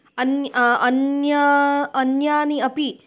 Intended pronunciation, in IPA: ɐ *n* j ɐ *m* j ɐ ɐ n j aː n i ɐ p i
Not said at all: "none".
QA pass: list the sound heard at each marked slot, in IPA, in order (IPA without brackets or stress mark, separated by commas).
n, n